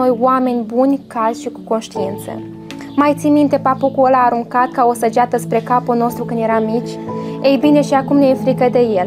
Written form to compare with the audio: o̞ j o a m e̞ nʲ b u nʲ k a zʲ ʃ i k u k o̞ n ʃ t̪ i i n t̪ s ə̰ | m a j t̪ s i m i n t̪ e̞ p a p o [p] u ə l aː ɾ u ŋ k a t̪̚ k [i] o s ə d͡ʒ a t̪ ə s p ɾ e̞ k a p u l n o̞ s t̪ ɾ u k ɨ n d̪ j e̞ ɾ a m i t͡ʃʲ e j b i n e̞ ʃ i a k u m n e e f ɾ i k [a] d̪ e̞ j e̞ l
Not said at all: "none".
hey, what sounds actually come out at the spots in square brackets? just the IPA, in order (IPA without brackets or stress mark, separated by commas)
k, a, ə